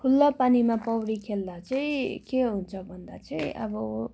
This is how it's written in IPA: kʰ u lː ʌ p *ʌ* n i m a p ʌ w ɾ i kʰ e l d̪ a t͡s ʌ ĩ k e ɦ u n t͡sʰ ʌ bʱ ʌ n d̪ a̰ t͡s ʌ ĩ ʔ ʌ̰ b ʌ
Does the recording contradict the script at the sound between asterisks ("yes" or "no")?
yes